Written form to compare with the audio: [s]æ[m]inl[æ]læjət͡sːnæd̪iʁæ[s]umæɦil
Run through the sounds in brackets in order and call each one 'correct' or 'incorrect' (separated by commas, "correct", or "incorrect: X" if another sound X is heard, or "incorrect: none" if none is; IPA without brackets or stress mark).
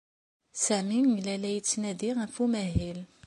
correct, correct, correct, incorrect: f